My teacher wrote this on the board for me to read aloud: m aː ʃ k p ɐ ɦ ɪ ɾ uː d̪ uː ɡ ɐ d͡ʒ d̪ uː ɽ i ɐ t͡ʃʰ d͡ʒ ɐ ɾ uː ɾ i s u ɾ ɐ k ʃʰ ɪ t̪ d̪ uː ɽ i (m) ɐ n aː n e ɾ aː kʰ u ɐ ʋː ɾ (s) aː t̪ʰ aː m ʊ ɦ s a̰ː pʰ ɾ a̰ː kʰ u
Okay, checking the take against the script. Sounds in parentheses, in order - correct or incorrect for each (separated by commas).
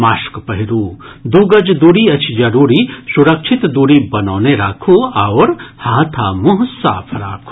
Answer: incorrect, incorrect